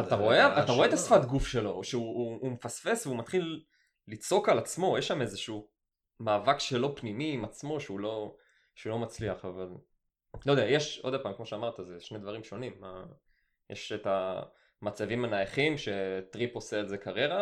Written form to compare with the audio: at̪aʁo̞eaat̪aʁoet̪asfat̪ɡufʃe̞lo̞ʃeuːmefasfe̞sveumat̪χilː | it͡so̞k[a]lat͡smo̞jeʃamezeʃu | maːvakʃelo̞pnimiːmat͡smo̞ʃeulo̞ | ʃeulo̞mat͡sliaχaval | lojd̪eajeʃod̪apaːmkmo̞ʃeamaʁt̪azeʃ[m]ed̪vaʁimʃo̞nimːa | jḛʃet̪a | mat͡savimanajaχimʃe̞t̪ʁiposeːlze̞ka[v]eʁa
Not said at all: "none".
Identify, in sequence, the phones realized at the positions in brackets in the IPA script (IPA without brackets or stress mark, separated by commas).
a, n, ʁ